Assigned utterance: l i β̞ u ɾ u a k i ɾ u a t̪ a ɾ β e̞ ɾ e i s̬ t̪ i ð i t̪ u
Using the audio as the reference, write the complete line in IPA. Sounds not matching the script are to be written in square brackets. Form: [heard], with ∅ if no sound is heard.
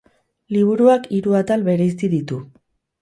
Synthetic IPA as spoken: l i β̞ u ɾ u a k i ɾ u a t̪ a [l] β e̞ ɾ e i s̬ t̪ i ð i t̪ u